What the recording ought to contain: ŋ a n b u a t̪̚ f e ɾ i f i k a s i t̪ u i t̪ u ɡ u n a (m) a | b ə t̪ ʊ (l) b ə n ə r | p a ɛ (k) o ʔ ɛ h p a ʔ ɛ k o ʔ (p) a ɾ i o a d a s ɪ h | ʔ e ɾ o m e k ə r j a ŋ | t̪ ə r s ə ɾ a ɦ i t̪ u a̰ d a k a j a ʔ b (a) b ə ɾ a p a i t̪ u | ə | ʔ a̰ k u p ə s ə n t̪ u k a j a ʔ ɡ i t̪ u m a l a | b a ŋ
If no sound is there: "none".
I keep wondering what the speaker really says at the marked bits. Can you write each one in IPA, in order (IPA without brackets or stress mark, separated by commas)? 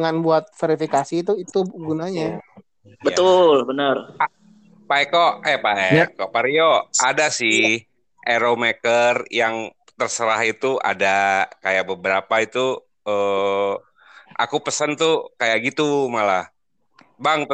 ɲ, l, k, p, ə